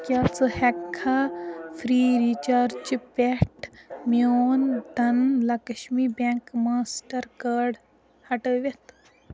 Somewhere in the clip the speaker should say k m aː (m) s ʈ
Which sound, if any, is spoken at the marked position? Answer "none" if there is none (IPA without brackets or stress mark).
none